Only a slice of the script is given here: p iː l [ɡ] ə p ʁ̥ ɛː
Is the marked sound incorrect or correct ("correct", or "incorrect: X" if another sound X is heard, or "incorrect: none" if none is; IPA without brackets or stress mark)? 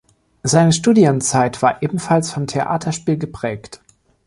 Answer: correct